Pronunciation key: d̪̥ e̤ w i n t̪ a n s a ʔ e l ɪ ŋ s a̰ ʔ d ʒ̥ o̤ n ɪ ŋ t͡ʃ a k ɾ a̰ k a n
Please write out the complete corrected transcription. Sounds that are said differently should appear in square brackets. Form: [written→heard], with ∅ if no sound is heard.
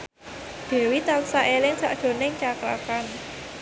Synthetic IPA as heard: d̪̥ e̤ w i [n→∅] t̪ a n s a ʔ e l ɪ ŋ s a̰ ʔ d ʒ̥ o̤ n ɪ ŋ t͡ʃ a k ɾ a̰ k a n